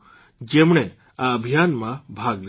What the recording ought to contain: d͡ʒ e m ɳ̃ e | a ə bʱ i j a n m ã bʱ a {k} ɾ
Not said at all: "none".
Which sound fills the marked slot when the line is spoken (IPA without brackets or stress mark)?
ɡ